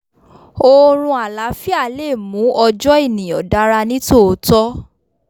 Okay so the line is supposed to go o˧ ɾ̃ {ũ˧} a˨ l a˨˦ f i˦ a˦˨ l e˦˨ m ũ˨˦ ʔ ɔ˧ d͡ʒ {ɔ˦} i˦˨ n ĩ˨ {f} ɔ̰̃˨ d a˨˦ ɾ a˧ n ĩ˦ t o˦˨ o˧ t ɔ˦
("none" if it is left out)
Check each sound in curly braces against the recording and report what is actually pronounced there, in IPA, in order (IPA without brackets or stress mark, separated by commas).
ũ˧, ɔ˦, none